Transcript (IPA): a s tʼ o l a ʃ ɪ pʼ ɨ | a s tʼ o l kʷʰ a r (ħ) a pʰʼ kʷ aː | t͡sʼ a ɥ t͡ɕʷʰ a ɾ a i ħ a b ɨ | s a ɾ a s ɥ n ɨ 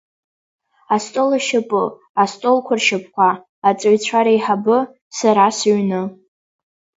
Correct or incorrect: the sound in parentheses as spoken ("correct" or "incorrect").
incorrect